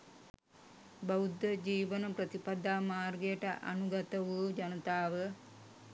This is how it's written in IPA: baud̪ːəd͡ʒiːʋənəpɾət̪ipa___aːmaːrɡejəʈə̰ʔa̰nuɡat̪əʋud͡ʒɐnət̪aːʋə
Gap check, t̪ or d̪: d̪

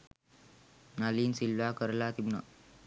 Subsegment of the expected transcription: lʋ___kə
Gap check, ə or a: a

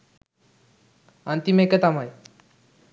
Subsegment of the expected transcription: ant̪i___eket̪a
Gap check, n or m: m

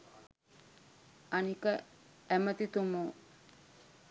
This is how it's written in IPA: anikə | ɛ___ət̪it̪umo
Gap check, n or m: m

